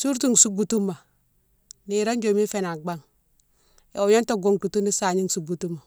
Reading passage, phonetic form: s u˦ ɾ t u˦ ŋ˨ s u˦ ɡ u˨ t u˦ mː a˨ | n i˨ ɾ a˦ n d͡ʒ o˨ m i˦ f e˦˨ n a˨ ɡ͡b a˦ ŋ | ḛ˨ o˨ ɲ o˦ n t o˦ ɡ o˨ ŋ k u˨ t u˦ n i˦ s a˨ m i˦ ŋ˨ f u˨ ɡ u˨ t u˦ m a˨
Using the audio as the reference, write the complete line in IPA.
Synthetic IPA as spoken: s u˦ ɾ t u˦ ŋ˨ s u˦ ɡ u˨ t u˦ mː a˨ | n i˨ ɾ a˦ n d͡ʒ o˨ m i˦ f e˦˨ n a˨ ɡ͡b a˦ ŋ | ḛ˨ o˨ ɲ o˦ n t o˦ ɡ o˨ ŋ k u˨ t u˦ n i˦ s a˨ ɲ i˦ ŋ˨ s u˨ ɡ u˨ t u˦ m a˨